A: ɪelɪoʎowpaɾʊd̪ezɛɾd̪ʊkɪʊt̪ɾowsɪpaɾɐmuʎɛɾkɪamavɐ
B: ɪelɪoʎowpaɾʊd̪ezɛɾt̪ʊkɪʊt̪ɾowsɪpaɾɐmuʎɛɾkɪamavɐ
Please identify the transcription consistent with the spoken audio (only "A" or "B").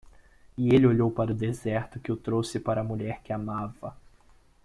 B